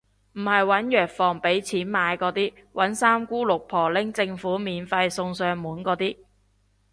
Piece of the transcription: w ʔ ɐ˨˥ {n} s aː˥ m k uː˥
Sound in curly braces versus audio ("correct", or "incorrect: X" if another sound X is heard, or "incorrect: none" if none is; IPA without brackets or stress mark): correct